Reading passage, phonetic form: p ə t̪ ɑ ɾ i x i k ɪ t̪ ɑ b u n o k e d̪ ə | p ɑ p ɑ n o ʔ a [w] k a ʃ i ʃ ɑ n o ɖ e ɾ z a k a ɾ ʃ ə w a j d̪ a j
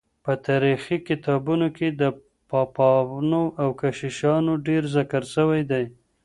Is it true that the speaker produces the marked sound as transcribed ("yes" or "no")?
yes